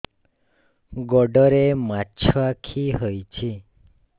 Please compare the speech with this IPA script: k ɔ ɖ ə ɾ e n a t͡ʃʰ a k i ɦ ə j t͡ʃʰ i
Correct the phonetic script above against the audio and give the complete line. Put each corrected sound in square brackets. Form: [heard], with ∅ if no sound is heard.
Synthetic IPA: [ɡ] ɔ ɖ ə ɾ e [m] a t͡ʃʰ a [kʰ] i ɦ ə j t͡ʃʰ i